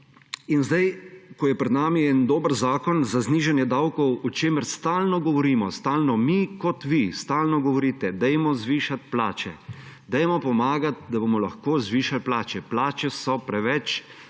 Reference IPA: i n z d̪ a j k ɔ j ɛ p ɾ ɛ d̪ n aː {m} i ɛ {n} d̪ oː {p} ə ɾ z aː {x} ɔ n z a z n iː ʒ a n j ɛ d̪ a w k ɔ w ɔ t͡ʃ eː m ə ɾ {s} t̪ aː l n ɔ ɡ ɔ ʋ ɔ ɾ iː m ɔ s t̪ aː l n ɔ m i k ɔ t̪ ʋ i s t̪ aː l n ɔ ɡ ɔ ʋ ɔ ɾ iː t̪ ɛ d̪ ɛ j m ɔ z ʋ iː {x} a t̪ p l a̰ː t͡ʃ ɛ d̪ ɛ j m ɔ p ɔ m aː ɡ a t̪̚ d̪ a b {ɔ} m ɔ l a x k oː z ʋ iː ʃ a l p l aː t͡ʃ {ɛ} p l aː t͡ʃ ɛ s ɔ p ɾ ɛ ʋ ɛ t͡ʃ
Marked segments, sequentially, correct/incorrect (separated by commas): correct, correct, incorrect, incorrect, correct, incorrect, incorrect, correct